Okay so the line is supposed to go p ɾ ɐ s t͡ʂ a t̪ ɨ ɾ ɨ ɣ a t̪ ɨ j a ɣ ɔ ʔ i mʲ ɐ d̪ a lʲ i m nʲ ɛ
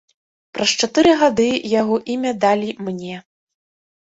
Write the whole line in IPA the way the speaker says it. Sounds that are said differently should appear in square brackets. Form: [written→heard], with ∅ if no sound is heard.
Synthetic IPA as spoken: p ɾ ɐ s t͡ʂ a t̪ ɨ ɾ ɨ ɣ a [t̪→d̪] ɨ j a ɣ ɔ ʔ i mʲ ɐ d̪ a lʲ i m nʲ ɛ

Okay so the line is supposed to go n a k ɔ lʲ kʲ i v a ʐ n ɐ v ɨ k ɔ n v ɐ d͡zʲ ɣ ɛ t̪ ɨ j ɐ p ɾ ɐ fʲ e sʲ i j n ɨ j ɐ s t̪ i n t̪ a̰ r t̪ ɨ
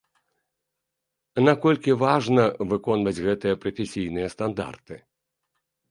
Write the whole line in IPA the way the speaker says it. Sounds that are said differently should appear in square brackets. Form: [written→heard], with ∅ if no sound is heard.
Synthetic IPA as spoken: n a k ɔ lʲ kʲ i v a ʐ n ɐ v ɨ k ɔ n v ɐ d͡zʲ ɣ ɛ t̪ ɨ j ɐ p ɾ ɐ fʲ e sʲ i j n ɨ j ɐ s t̪ [i→a] n [t̪→d̪] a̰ r t̪ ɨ

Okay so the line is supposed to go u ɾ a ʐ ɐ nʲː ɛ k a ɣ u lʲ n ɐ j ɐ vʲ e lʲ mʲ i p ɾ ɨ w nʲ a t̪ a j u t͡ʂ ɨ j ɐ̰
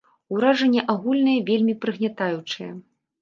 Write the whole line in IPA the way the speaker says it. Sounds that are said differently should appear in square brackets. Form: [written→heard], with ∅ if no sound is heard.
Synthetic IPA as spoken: u ɾ a ʐ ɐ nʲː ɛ [k→ʔ] a ɣ u lʲ n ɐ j ɐ vʲ e lʲ mʲ i p ɾ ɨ [w→ɣ] nʲ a t̪ a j u t͡ʂ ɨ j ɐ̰

